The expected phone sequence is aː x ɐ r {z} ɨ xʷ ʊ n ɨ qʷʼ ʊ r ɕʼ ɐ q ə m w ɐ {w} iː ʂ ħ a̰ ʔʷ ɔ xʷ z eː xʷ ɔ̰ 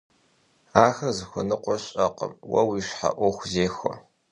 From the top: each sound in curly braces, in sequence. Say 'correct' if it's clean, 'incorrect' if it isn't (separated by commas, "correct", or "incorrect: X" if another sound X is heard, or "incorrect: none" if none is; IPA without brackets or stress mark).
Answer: correct, correct